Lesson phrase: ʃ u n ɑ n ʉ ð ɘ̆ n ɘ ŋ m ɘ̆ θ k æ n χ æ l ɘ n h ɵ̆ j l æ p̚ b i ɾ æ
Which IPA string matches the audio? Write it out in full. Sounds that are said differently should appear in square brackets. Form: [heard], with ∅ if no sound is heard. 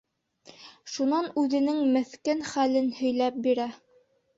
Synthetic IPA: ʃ u n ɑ n ʉ ð ɘ̆ n ɘ ŋ m ɘ̆ θ k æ n χ æ l ɘ n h ɵ̆ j l æ p̚ b i ɾ æ